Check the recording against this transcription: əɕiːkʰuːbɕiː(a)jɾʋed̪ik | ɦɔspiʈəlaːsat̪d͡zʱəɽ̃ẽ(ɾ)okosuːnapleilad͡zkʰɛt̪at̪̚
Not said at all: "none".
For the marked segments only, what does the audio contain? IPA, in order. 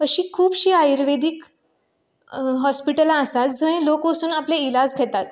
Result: a, l

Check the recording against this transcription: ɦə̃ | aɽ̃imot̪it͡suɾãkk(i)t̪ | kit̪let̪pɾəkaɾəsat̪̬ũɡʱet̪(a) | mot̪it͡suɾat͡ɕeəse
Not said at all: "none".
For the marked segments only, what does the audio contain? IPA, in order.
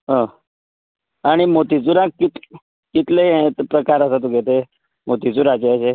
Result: i, e

